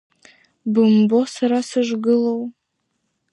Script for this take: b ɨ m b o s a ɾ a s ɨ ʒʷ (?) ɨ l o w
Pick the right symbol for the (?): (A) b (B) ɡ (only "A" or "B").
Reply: B